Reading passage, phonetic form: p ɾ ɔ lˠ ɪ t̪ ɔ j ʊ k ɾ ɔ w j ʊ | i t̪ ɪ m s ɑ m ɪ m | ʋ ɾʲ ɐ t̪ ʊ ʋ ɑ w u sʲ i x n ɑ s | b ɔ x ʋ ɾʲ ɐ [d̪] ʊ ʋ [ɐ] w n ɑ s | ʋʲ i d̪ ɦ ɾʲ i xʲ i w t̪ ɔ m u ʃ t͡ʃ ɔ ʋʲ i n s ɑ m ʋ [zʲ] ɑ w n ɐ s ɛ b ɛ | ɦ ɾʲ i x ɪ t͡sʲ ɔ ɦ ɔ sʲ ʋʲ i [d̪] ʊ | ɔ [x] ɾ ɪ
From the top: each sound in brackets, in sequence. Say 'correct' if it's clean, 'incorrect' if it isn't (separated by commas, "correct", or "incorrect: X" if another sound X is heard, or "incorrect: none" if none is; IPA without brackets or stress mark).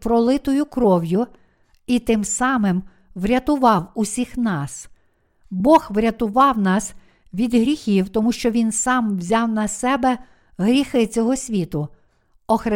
incorrect: t̪, incorrect: ɑ, correct, incorrect: t̪, correct